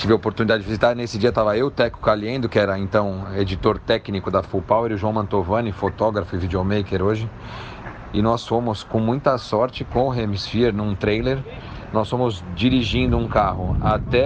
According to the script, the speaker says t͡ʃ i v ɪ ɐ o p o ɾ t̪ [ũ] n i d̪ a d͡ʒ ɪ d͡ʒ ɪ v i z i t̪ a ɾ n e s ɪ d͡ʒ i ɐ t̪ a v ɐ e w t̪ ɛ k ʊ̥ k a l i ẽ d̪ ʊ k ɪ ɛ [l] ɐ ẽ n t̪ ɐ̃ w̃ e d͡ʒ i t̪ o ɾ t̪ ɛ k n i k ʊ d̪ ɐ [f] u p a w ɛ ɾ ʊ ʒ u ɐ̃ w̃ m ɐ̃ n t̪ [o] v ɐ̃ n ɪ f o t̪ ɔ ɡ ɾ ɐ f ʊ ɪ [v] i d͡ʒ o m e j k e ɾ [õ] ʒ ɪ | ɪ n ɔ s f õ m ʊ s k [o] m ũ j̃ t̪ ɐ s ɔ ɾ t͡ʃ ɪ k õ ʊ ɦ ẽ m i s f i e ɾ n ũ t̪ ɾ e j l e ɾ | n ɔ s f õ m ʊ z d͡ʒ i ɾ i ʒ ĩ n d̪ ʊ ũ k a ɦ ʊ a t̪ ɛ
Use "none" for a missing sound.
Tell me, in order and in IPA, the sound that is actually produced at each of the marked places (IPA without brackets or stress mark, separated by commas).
u, ɾ, f, o, v, o, õ